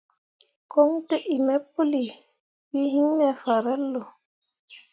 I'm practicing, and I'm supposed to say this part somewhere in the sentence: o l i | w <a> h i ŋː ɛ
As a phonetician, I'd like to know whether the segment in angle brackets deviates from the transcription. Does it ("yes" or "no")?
yes